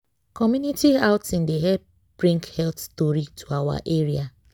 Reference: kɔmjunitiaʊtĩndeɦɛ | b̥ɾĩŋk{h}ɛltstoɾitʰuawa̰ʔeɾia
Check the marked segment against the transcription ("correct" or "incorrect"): correct